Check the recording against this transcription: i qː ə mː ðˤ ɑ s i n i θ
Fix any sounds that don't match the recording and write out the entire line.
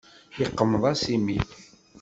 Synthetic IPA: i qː ə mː ðˤ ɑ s i m i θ